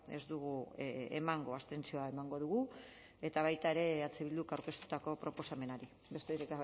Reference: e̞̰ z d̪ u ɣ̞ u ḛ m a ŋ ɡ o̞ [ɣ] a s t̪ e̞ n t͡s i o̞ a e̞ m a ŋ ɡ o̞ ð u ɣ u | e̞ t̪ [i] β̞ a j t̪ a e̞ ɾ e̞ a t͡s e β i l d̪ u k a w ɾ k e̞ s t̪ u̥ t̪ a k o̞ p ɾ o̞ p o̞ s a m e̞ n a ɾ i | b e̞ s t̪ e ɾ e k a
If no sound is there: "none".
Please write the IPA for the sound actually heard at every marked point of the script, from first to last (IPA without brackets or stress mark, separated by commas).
none, a